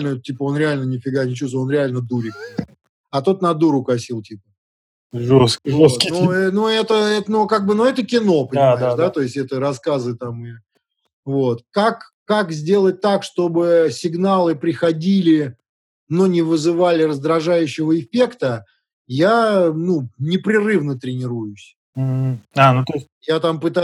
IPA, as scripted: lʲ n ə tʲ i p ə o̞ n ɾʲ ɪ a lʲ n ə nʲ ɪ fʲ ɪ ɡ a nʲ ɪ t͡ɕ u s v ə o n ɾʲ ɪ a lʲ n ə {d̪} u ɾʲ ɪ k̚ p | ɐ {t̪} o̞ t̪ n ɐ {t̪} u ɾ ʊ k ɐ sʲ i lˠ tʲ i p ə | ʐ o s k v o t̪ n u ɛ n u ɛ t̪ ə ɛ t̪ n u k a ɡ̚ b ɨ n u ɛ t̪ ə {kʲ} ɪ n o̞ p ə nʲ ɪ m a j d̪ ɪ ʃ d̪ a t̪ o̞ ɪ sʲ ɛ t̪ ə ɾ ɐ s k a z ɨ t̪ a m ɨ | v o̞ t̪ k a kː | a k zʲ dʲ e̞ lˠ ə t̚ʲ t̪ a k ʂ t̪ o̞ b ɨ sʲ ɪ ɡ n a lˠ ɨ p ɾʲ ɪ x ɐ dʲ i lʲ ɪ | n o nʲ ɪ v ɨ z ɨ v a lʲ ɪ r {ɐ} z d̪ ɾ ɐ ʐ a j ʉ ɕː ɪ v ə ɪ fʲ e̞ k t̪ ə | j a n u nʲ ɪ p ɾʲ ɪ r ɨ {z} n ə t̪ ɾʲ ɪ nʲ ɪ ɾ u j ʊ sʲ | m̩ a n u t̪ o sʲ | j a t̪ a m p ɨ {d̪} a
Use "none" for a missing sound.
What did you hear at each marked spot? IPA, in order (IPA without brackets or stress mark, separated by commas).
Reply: d̪, t̪, d̪, kʲ, ə, v, t̪